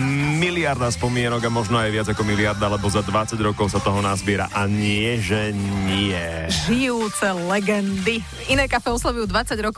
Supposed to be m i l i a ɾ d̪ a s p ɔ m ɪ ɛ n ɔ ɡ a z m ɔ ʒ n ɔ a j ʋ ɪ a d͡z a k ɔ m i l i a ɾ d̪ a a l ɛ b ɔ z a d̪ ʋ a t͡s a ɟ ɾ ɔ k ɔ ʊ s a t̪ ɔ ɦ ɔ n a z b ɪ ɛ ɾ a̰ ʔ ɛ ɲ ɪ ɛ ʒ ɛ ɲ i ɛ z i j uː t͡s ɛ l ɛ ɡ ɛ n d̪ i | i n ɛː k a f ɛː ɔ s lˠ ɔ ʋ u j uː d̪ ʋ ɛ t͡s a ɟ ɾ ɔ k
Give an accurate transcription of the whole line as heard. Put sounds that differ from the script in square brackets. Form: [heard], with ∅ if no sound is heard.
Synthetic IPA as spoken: m i l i a ɾ d̪ a s p ɔ m ɪ ɛ n ɔ ɡ a [∅] m ɔ ʒ n ɔ a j ʋ ɪ a d͡z a k ɔ m i l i a ɾ d̪ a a l ɛ b ɔ z a d̪ ʋ a t͡s a ɟ ɾ ɔ k ɔ ʊ s a t̪ ɔ ɦ ɔ n a z b ɪ ɛ ɾ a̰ ʔ [a] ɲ ɪ ɛ ʒ ɛ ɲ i ɛ [ʒ] i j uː t͡s ɛ l ɛ ɡ ɛ n d̪ i | i n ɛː k a f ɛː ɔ s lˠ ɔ ʋ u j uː d̪ ʋ [a] t͡s a ɟ ɾ ɔ k